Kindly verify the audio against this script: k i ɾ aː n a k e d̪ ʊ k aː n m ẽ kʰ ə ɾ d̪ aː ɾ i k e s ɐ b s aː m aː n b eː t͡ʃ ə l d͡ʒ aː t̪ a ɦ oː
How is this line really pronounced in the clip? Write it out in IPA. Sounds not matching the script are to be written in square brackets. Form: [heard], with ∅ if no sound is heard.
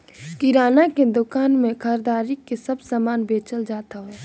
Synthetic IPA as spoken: k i ɾ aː n a k e d̪ ʊ k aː n m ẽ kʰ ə ɾ d̪ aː ɾ i k e s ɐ b s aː m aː n b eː t͡ʃ ə l d͡ʒ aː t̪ a ɦ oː